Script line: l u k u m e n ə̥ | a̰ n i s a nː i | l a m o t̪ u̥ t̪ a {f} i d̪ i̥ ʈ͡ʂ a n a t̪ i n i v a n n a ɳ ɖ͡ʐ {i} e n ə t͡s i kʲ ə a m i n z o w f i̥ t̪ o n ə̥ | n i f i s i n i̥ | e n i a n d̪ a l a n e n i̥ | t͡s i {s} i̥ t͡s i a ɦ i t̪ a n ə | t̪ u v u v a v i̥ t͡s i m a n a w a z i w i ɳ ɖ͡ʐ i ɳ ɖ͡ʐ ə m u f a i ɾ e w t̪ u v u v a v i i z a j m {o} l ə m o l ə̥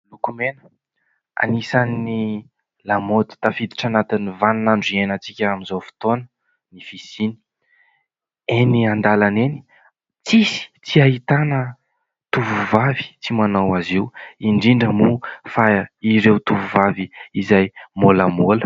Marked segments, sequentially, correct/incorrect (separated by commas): correct, correct, correct, correct